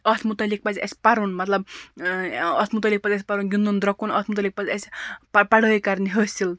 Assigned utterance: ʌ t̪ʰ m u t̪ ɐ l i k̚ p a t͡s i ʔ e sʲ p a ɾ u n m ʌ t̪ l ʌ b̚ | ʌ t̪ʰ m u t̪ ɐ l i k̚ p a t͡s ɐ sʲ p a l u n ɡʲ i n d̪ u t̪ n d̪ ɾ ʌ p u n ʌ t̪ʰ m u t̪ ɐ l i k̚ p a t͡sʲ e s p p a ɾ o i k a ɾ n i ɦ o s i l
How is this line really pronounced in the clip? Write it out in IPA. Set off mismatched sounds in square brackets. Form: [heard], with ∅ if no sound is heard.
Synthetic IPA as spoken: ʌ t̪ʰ m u t̪ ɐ l i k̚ p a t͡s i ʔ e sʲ p a ɾ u n m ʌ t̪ l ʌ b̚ | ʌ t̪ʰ m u t̪ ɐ l i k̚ p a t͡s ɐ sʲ p a [ɾ] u n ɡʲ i n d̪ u [∅] n d̪ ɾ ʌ [k] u n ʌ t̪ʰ m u t̪ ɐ l i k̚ p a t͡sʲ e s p p a [ɽ] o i k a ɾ n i ɦ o s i l

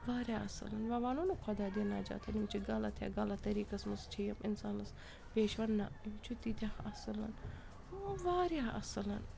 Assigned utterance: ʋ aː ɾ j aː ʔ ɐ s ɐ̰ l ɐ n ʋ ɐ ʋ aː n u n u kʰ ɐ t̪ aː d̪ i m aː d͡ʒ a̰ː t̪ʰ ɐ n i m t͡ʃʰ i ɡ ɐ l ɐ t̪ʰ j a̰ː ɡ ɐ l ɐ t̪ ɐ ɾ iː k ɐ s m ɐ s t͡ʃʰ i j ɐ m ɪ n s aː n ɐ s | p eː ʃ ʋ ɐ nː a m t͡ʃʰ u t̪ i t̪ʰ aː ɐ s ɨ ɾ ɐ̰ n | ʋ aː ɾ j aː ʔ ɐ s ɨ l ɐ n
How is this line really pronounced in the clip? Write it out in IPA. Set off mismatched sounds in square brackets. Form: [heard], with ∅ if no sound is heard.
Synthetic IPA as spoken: ʋ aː ɾ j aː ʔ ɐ s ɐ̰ l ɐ n ʋ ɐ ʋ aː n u n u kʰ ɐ [d̪] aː d̪ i [n] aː d͡ʒ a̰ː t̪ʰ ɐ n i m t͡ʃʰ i ɡ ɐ l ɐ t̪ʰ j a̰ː ɡ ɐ l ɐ t̪ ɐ ɾ iː k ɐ s m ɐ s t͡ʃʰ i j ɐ m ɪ n s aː n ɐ s | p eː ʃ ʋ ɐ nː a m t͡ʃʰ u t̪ i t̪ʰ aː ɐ s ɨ [l] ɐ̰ n | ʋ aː ɾ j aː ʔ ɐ s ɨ l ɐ n

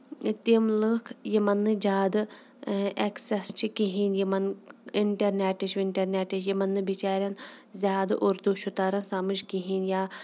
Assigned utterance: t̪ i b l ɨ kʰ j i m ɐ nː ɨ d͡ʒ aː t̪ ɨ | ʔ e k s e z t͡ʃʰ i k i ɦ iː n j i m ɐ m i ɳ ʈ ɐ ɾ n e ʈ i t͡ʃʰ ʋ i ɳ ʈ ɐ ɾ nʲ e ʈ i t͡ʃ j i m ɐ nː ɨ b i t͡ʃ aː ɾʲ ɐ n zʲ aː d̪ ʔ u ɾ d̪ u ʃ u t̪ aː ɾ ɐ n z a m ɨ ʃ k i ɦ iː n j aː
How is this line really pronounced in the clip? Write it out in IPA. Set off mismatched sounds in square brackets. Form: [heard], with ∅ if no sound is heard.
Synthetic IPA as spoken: t̪ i [m] l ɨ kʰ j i m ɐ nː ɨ d͡ʒ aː [d̪] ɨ | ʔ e k s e [s] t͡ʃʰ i k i ɦ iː n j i m ɐ [n] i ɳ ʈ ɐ ɾ n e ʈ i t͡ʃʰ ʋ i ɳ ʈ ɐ ɾ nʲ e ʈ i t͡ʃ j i m ɐ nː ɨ b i t͡ʃ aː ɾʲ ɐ n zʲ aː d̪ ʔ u ɾ d̪ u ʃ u t̪ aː ɾ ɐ n [s] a m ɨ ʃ k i ɦ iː n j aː

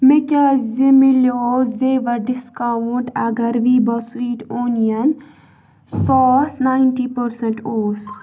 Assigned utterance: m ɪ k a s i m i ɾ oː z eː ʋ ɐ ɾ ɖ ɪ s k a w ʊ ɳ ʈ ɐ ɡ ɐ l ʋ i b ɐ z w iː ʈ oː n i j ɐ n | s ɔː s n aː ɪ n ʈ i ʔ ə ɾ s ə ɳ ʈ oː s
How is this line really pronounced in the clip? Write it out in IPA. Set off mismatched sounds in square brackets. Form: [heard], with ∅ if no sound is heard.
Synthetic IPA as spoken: m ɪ k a [z] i m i [l] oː z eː ʋ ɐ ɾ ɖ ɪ s k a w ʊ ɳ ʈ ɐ ɡ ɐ [ɾ] ʋ i b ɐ [s] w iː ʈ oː n i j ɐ n | s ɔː s n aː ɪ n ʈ i [p] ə ɾ s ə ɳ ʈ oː s

